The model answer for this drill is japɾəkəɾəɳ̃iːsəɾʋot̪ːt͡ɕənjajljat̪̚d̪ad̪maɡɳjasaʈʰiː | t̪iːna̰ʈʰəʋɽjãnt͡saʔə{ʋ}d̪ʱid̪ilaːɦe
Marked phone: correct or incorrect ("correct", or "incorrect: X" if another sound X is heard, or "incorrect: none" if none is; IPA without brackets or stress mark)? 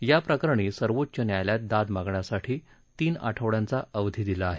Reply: correct